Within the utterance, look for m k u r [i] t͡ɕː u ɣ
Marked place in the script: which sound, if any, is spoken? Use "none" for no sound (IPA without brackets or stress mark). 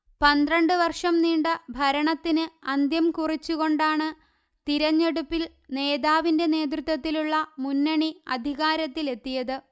i